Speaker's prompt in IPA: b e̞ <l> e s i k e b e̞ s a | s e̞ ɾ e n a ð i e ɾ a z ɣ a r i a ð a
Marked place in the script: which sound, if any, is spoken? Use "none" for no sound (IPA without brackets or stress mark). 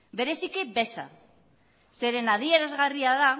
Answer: ɾ